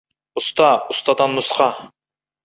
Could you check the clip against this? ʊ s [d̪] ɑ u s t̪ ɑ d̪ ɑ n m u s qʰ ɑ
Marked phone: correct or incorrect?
incorrect